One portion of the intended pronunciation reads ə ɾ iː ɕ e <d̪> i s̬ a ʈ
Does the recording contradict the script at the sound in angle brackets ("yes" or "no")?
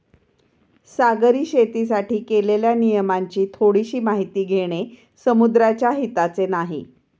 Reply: yes